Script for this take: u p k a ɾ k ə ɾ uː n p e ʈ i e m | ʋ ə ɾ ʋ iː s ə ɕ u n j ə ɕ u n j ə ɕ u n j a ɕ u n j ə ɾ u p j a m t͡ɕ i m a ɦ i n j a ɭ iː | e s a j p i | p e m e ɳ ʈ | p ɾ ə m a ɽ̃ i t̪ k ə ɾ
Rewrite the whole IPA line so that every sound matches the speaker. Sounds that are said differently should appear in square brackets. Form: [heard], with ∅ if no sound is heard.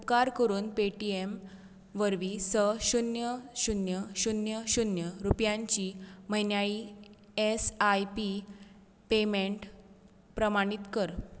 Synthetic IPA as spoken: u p k a ɾ k ə ɾ uː n p e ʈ i e m | ʋ ə ɾ ʋ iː s ə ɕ u n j ə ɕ u n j ə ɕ u n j [ə] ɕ u n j ə ɾ u p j a [ɲ] t͡ɕ i m [ə] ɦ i n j a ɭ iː | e s a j p i | p e m e ɳ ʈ | p ɾ ə m a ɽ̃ i t̪ k ə ɾ